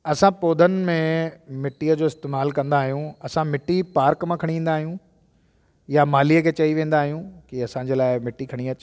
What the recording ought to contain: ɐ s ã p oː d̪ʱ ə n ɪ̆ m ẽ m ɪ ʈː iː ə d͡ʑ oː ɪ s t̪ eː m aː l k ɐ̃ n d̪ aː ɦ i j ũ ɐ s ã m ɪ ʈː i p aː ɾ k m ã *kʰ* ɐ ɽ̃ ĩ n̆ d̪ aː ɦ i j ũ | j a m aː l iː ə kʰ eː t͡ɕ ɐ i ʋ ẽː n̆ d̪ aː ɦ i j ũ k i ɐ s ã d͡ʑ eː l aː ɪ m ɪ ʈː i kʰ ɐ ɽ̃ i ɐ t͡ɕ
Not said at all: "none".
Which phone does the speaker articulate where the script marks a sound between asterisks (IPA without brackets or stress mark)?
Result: kʰ